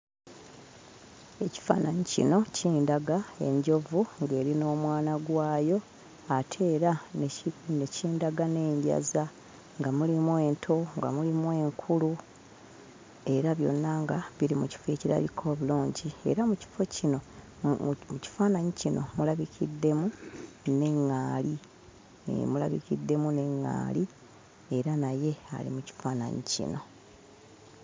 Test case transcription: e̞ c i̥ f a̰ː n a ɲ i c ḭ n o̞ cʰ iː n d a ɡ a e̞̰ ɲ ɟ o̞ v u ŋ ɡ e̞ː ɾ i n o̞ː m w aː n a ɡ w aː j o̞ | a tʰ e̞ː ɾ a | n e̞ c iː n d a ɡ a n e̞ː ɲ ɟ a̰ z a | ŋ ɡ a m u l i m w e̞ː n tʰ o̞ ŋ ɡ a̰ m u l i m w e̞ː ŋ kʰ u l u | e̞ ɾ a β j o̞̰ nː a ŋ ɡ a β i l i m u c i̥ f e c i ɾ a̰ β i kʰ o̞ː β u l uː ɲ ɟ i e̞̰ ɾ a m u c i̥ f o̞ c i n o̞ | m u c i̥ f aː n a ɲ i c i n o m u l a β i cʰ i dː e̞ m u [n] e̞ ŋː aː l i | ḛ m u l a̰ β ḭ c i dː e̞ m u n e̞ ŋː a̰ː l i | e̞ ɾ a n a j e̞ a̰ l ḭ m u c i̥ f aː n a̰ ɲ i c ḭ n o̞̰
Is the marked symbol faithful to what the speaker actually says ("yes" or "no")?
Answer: yes